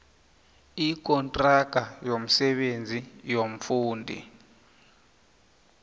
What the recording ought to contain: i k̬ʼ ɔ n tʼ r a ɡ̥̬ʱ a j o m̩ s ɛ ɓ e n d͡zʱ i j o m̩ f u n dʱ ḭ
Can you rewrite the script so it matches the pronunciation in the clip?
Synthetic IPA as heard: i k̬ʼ ɔ n tʼ r a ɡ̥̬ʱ a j o m̩ s ɛ ɓ e n d͡zʱ i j o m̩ f uː n dʱ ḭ